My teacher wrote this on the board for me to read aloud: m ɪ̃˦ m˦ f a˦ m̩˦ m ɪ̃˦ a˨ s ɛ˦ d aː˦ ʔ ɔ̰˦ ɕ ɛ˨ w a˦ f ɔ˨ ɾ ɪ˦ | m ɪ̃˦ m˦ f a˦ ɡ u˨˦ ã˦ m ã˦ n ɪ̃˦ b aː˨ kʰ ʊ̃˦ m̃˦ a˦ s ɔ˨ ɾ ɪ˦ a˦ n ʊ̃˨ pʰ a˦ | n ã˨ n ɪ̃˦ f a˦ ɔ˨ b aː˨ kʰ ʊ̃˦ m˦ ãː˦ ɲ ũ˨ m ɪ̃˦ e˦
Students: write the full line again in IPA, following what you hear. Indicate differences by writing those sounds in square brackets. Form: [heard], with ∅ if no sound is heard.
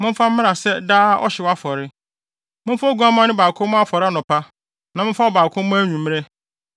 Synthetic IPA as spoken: m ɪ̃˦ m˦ f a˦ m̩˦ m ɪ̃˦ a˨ s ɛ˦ d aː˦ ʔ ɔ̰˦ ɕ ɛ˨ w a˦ f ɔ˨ ɾ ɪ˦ | m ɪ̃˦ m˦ f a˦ ɡ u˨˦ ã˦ m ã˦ n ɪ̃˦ b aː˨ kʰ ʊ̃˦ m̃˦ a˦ [f] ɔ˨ ɾ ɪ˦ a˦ n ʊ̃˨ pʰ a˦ | n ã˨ [m] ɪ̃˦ f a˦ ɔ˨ b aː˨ kʰ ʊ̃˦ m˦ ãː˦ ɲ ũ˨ m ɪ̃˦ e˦